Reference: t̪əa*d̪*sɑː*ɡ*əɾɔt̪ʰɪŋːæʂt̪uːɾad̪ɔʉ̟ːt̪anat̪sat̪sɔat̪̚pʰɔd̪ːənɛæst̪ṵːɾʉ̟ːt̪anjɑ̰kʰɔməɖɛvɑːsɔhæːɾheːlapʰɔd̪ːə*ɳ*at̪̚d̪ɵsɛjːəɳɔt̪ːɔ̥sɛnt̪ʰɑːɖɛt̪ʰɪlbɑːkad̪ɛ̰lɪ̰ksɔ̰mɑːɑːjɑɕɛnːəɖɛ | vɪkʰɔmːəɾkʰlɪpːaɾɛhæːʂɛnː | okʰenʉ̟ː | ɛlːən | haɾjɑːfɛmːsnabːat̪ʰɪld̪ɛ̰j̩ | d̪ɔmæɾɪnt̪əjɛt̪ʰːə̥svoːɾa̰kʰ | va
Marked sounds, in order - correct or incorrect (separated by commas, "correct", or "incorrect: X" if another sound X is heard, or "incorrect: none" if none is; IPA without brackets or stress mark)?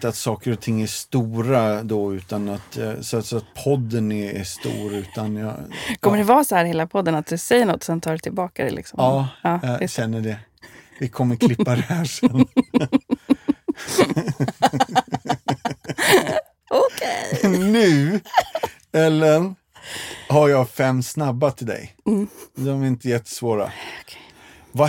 incorrect: t̪, incorrect: k, incorrect: n